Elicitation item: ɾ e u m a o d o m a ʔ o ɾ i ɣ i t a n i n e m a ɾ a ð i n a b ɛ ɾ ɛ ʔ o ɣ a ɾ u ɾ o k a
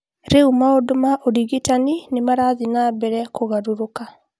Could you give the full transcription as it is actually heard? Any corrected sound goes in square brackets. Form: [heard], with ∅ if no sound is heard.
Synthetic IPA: ɾ e u m a o d o m a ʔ o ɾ i ɣ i t a n i n e m a ɾ a ð i n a b ɛ ɾ ɛ [k] o ɣ a ɾ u ɾ o k a